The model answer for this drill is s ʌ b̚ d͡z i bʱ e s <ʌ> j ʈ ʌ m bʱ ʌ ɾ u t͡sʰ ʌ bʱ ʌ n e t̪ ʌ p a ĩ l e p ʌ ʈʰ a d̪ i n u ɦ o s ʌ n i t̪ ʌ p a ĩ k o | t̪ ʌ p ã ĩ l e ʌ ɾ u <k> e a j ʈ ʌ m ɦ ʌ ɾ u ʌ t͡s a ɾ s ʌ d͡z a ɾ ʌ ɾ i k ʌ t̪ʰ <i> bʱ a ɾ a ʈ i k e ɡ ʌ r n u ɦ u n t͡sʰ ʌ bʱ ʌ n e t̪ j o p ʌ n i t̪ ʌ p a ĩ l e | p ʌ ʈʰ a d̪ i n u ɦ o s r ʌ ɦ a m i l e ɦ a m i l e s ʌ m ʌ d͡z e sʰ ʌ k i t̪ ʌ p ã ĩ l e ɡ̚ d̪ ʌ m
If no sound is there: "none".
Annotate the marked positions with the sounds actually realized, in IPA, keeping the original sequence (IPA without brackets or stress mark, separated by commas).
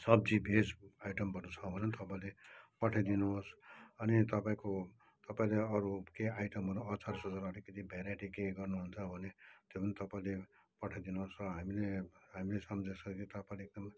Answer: a, k, i